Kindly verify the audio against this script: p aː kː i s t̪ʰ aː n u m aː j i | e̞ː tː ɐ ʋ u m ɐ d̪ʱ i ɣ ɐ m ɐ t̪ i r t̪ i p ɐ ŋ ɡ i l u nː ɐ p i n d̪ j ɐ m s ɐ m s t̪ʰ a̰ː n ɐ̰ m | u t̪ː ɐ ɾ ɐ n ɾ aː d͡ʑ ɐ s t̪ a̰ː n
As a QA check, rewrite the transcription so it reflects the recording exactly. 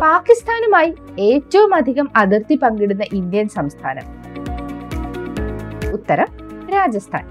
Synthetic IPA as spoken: p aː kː i s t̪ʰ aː n u m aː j i | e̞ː tː ɐ ʋ u m ɐ d̪ʱ i ɣ ɐ m ɐ d̪ i r t̪ i p ɐ ŋ ɡ i ɽ u nː ɐ ʔ i n d̪ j ɐ n s ɐ m s t̪ʰ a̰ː n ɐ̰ m | u t̪ː ɐ ɾ ɐ m ɾ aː d͡ʑ ɐ s t̪ʰ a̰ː n